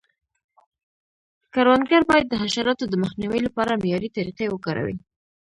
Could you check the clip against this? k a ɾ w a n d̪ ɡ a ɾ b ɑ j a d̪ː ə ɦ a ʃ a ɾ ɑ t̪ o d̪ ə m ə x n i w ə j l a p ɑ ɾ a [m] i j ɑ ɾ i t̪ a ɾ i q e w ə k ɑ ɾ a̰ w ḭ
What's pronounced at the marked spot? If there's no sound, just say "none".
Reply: m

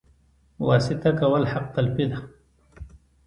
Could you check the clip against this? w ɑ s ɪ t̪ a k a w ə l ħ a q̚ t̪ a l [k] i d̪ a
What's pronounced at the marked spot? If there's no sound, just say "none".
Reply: p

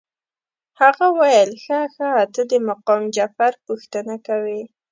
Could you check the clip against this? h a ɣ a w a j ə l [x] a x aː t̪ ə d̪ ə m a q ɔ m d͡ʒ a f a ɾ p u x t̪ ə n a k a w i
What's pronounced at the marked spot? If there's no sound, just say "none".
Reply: x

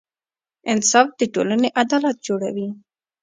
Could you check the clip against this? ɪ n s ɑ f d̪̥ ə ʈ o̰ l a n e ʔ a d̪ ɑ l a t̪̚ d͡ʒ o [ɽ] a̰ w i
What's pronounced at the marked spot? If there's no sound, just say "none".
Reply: ɽ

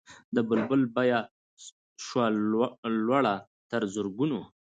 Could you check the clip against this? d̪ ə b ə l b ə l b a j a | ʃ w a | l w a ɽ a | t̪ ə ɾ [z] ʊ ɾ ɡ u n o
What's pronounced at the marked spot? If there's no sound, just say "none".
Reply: z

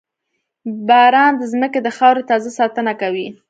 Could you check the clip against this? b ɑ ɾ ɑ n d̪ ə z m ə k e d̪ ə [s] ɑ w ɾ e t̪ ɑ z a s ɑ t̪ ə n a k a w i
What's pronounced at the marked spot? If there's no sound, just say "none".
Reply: x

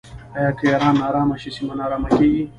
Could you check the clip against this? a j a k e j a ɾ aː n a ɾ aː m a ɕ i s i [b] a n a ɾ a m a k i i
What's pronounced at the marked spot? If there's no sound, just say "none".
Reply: m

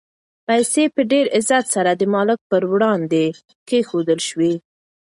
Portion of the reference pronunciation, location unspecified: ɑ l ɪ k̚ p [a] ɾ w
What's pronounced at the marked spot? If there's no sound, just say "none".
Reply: ə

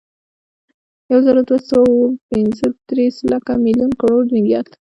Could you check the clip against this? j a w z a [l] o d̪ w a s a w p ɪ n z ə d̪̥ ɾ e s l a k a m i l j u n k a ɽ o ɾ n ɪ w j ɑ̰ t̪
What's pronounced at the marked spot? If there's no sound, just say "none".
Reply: ɾ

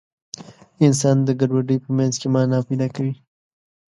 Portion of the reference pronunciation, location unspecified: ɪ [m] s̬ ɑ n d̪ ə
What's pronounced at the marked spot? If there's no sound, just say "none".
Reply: n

